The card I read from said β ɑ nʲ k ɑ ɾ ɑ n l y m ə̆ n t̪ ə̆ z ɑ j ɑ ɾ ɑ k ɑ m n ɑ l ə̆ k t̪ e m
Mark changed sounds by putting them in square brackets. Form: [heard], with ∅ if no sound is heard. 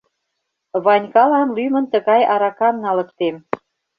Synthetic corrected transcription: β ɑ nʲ k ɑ [l] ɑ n l y m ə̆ n t̪ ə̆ [ɣ] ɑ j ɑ ɾ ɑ k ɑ m n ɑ l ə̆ k t̪ e m